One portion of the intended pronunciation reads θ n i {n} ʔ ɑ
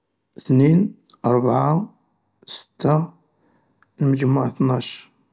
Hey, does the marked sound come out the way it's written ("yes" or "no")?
yes